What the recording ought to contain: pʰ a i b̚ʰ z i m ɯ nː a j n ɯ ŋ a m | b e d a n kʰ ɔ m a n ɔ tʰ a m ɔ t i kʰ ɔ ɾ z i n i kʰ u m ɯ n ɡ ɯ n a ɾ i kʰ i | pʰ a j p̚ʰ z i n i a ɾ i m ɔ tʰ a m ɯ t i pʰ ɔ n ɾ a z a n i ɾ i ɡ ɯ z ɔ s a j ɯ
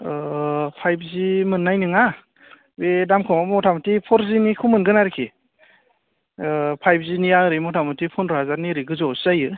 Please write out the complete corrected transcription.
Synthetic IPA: pʰ a j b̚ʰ z i m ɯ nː a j n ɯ ŋ a | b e d a m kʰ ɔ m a m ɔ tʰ a m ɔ t i pʰ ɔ ɾ z i n i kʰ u m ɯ n ɡ ɯ n a ɾ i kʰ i | pʰ a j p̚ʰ z i n i a ɾ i m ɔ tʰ a m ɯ t i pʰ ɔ n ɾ a z a n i ɾ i ɡ ɯ z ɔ s a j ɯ